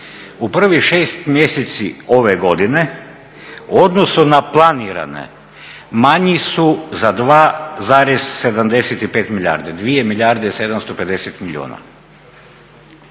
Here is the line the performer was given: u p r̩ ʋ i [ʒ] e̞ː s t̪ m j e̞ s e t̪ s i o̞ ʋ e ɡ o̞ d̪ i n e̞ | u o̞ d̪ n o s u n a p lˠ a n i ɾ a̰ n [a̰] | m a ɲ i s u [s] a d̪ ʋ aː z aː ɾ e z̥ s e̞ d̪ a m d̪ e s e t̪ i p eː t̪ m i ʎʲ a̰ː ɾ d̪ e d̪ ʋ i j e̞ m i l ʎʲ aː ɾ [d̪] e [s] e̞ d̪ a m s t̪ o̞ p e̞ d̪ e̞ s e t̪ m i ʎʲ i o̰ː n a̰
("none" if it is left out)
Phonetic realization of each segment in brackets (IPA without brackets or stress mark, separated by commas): ʃ, ḛ, z, d̪, s